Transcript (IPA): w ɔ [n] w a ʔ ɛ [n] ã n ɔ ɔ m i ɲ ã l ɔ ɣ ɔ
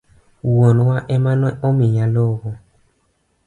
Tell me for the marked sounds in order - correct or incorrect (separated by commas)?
correct, incorrect